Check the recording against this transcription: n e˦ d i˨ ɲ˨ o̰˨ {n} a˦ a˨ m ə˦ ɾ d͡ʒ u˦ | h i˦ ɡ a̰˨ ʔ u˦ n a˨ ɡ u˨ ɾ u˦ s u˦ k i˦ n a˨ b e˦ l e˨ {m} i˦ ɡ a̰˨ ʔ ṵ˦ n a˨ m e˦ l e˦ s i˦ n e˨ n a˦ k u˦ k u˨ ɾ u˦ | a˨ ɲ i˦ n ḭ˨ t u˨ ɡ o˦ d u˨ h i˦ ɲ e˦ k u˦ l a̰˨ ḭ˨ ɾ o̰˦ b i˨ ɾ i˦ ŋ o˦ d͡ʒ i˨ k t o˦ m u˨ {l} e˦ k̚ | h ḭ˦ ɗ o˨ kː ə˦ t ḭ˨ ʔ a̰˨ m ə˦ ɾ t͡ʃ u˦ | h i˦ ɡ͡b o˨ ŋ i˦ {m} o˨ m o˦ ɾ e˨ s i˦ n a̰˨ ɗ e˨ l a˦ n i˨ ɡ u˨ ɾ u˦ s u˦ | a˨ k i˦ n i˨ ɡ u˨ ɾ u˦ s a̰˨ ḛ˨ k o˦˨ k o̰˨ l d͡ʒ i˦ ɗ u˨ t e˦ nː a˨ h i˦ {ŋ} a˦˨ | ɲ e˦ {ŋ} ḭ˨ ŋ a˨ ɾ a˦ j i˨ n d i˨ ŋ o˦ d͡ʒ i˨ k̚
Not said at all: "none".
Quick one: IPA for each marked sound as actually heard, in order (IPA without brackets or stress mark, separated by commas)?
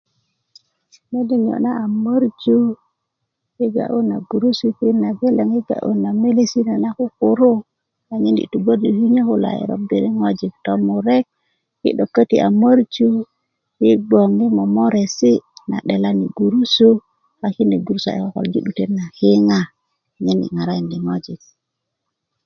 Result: n, ŋ, ɾ, m, ŋ, n